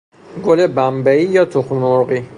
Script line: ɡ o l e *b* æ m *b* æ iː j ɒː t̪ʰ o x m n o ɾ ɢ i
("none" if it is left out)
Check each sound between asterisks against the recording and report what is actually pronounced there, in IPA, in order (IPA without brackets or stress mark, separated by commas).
b, b